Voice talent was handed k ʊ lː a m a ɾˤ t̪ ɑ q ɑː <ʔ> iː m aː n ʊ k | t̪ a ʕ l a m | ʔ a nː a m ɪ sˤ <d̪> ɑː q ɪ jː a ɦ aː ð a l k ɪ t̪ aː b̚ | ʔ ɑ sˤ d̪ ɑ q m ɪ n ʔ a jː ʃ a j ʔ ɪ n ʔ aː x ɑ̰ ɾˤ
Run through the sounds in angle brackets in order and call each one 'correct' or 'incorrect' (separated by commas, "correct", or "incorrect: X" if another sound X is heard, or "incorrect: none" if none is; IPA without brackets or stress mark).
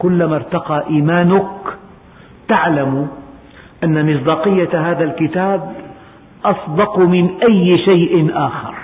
correct, correct